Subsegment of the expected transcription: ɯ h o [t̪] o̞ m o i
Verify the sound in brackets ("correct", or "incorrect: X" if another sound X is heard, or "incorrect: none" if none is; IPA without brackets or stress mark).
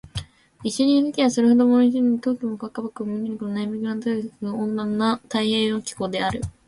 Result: incorrect: d̪